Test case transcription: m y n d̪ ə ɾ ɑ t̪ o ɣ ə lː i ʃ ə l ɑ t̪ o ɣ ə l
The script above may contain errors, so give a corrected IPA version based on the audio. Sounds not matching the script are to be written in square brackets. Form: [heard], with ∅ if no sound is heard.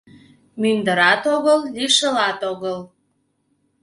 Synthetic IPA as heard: m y n d̪ ə ɾ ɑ t̪ o ɣ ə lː i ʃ ə l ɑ t̪ o ɣ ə l